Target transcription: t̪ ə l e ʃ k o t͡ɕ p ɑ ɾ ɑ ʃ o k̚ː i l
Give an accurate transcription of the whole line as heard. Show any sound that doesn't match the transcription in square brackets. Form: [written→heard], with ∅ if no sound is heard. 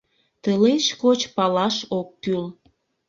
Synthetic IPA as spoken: t̪ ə l e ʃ k o t͡ɕ p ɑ [ɾ→l] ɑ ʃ o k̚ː [i→y] l